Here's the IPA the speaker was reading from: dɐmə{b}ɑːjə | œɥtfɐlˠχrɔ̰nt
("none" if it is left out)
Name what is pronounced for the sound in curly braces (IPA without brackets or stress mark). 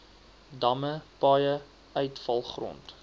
p